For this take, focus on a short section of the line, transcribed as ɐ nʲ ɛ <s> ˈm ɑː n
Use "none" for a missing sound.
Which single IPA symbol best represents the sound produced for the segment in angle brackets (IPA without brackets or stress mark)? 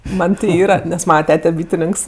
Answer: s